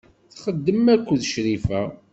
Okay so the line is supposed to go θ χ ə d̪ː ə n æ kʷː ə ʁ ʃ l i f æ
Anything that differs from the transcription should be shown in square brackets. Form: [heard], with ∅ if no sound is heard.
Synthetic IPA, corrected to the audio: θ χ ə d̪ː ə [m] æ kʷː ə [ð] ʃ [ɾ] i f æ